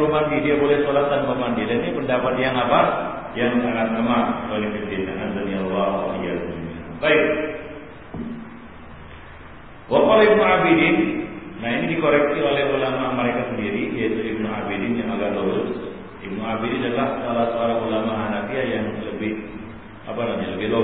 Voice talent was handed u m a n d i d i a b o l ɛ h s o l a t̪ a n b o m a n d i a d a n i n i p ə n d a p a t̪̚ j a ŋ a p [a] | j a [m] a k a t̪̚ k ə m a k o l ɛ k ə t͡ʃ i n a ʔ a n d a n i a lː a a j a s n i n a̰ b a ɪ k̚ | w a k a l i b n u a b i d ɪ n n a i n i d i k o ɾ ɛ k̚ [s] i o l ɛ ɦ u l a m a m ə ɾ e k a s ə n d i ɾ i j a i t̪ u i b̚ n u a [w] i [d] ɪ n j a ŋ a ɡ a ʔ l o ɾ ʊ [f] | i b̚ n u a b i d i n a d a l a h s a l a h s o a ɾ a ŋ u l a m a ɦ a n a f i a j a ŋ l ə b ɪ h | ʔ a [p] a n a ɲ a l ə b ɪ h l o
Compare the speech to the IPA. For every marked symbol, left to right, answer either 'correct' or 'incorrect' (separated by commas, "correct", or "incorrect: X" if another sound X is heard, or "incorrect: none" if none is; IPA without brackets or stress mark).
correct, incorrect: ŋ, correct, incorrect: b, correct, incorrect: s, correct